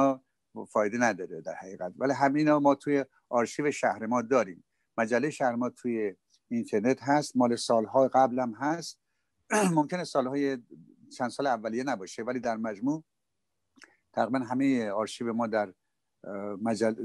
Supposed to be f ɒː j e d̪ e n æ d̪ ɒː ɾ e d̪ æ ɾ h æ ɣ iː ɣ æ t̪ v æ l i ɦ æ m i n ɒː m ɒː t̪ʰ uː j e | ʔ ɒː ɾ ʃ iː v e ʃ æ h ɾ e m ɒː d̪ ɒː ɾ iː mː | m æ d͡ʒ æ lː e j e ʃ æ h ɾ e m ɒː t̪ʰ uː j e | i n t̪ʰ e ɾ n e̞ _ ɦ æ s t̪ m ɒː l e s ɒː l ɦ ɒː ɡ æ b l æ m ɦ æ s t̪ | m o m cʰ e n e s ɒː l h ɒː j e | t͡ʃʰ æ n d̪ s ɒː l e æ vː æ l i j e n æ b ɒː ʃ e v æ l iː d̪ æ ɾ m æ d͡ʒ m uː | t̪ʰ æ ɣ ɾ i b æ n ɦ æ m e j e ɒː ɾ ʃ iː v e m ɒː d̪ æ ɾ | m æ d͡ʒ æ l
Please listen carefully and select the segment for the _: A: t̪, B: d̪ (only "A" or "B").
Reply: A